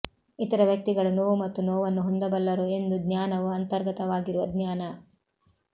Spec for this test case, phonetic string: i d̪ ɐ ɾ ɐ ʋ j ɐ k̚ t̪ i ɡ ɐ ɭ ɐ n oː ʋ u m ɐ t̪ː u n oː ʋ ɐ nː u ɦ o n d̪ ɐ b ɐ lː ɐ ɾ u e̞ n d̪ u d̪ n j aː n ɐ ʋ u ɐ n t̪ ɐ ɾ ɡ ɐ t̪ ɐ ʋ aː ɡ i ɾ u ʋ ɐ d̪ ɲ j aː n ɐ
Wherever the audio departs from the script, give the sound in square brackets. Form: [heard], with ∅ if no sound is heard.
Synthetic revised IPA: i [t̪] ɐ ɾ ɐ ʋ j ɐ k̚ t̪ i ɡ ɐ ɭ ɐ n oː ʋ u m ɐ t̪ː u n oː ʋ ɐ nː u ɦ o n d̪ ɐ b ɐ lː ɐ ɾ u e̞ n d̪ u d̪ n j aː n ɐ ʋ u ɐ n t̪ ɐ ɾ ɡ ɐ t̪ ɐ ʋ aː ɡ i ɾ u ʋ ɐ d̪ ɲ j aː n ɐ